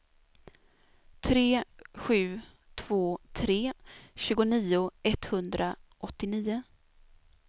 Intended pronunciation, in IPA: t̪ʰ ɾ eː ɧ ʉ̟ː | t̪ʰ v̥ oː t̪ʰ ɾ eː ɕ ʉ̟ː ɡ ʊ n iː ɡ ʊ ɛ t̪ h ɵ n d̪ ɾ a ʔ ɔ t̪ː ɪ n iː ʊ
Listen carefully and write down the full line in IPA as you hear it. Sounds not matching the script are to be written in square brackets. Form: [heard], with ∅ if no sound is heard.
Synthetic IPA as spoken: t̪ʰ ɾ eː ɧ ʉ̟ː | t̪ʰ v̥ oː t̪ʰ ɾ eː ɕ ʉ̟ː ɡ ʊ n iː [∅] ʊ ɛ t̪ h ɵ n d̪ ɾ a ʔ ɔ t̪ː ɪ n iː ʊ